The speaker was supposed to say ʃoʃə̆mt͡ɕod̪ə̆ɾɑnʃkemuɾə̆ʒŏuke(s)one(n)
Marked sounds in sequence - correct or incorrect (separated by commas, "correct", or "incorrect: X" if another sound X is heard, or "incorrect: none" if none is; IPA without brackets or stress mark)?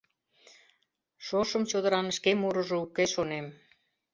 incorrect: ʃ, incorrect: m